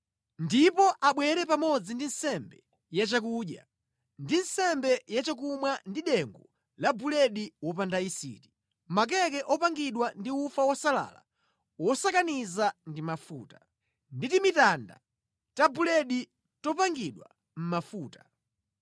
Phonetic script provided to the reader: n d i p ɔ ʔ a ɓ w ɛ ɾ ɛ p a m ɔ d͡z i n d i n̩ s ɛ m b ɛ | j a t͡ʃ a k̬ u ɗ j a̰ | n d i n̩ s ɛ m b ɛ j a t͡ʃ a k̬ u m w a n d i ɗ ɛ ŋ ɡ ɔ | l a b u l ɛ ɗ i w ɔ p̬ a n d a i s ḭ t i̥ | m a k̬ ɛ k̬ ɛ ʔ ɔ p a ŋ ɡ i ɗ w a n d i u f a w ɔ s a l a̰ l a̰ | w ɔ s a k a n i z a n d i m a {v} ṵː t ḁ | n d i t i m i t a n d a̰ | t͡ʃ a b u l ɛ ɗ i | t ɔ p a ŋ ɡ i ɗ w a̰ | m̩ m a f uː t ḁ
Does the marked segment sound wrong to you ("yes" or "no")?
yes